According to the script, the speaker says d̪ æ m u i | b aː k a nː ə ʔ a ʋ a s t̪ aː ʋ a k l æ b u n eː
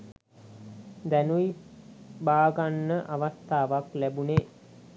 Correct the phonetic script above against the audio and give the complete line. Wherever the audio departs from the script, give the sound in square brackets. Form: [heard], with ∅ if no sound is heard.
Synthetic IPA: d̪ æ [n] u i | b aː [ɡ] a nː ə ʔ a ʋ a s t̪ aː ʋ a k l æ b u n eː